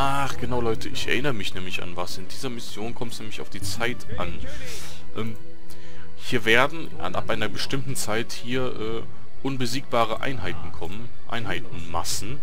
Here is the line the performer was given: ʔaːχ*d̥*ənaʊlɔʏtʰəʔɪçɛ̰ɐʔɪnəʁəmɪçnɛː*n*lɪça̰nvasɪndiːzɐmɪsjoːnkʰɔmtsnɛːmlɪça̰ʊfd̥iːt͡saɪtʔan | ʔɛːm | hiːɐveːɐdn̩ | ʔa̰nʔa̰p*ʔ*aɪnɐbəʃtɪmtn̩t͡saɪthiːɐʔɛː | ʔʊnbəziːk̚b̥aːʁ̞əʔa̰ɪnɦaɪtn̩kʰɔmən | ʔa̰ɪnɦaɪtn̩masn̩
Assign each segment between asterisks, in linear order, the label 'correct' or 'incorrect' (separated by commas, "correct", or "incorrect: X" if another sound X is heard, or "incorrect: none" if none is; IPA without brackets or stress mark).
incorrect: ɡ̥, incorrect: m, correct